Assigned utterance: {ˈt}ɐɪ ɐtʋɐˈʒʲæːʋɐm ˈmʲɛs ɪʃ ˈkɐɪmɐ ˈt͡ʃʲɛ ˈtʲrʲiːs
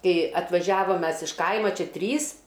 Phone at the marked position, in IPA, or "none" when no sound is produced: k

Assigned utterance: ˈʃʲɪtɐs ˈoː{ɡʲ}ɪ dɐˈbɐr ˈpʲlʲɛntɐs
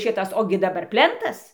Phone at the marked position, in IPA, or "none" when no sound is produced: ɡʲ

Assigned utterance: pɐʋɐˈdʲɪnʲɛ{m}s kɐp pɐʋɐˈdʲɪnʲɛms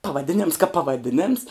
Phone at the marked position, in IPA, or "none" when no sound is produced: m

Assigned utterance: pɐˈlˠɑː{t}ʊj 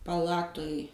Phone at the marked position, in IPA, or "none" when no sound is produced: t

